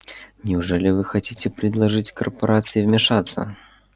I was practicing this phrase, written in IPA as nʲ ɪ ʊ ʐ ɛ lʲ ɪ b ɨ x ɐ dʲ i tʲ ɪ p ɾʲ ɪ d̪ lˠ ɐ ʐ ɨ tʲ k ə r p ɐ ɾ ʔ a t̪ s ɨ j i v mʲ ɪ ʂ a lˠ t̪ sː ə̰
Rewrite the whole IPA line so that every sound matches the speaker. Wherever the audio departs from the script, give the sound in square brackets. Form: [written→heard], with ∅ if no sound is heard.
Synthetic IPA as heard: nʲ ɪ ʊ ʐ ɛ lʲ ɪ [b→v] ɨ x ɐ [dʲ→tʲ] i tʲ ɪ p ɾʲ ɪ d̪ lˠ ɐ ʐ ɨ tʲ k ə r p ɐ ɾ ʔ a t̪ s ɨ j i v mʲ ɪ ʂ a [lˠ→∅] t̪ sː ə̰